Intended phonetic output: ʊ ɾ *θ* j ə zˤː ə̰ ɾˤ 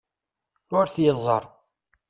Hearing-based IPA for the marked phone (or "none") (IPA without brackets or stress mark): θ